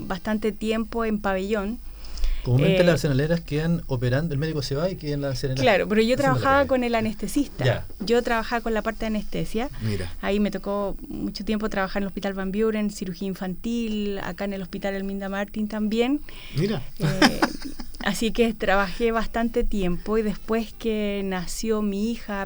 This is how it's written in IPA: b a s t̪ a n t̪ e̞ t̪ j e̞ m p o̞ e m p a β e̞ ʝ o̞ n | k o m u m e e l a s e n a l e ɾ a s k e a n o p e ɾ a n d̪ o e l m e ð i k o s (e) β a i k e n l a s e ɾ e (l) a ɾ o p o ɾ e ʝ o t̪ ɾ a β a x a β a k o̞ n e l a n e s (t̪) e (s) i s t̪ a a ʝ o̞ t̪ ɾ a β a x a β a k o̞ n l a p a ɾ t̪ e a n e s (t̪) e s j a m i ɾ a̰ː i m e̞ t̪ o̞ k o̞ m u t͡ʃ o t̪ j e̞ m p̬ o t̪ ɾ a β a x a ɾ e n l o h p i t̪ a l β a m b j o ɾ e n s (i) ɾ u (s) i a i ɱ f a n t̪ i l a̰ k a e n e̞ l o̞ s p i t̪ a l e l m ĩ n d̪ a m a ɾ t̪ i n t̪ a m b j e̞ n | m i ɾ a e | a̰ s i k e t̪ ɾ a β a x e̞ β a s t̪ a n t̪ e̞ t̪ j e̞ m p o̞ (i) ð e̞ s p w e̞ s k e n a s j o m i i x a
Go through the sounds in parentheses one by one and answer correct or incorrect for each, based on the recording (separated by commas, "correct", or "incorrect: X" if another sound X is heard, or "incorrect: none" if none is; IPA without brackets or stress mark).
correct, correct, correct, correct, correct, correct, incorrect: x, correct